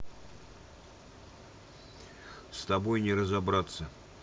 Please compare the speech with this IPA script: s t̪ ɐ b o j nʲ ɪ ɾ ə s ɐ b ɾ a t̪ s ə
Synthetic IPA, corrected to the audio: s t̪ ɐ b o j nʲ ɪ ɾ ə z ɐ b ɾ a t̪ s ə